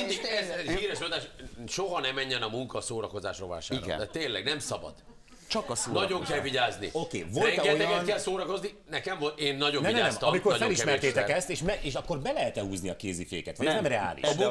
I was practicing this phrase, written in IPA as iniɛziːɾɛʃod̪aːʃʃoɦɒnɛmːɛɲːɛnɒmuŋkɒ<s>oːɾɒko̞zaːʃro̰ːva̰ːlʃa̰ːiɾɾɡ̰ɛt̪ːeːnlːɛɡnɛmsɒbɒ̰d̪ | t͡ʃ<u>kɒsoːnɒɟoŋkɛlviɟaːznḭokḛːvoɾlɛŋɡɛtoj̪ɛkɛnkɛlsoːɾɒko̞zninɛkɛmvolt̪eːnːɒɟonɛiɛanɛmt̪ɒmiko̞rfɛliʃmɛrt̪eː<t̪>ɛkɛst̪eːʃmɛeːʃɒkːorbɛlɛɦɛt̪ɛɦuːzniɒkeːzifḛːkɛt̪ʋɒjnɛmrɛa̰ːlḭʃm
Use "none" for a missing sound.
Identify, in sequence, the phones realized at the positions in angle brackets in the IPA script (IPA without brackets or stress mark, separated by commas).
s, ɒ, t̪